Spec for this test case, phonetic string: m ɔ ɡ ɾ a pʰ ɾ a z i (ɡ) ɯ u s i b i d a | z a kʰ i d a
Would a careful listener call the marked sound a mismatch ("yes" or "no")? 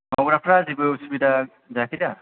yes